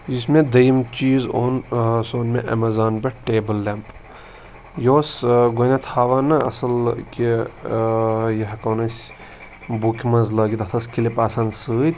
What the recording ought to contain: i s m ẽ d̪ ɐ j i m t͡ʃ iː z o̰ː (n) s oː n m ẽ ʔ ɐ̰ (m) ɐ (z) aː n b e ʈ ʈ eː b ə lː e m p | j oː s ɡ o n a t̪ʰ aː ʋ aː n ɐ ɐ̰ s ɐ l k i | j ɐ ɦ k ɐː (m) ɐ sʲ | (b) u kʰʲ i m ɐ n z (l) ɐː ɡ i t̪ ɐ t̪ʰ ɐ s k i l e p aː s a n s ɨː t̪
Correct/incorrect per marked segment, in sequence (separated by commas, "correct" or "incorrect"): correct, correct, correct, incorrect, correct, correct